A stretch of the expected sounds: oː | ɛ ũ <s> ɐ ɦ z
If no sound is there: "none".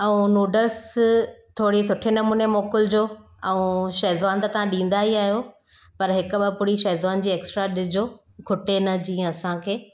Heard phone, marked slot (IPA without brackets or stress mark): ʃ